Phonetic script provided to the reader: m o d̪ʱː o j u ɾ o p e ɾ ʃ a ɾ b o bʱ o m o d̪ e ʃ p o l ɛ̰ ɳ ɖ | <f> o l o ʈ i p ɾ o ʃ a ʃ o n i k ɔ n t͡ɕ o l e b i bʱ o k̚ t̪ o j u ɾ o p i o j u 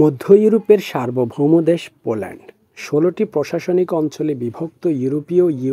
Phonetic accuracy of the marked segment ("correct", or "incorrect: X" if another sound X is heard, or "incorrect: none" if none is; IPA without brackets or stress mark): incorrect: ʃ